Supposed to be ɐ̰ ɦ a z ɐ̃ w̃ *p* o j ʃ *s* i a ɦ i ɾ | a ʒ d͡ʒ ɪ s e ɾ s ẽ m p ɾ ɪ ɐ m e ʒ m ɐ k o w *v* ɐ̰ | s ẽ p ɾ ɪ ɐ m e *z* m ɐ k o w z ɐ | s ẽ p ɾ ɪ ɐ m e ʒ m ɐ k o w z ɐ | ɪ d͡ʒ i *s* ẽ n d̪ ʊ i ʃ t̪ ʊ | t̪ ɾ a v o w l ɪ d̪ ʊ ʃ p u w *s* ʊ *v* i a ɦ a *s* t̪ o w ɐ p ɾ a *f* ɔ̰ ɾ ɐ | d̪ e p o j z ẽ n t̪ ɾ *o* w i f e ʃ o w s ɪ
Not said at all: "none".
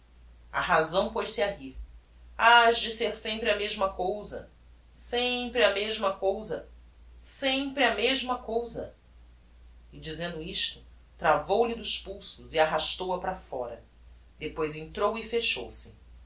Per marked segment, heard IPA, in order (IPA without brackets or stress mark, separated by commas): p, s, z, ʒ, z, s, z, ʃ, f, o